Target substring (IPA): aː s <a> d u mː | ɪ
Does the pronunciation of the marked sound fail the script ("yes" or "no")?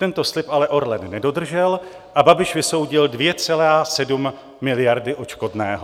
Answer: yes